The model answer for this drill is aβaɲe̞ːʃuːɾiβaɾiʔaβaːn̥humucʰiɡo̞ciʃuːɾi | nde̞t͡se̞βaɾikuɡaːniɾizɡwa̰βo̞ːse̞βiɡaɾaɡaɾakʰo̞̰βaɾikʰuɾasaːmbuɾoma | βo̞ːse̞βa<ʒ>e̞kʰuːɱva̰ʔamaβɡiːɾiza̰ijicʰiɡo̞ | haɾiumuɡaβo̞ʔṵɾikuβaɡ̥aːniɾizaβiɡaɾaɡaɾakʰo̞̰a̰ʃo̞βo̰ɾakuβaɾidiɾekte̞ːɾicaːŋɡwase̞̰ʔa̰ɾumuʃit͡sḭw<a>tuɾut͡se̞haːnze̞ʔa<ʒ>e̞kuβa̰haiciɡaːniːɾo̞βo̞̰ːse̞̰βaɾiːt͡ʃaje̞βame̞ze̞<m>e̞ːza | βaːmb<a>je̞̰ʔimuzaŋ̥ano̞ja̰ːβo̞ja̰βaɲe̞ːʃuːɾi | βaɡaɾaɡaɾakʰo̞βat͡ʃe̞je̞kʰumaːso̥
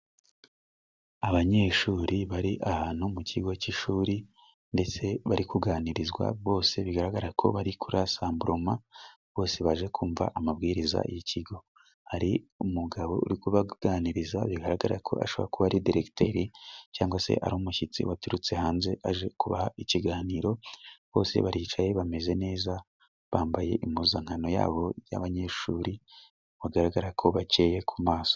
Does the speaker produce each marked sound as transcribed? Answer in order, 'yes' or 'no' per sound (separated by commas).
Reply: yes, yes, yes, no, yes